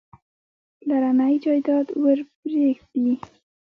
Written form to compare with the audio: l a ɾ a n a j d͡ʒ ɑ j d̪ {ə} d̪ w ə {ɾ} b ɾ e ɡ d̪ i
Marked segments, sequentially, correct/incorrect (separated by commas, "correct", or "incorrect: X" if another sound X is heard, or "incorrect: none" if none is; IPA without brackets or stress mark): incorrect: ɑ, correct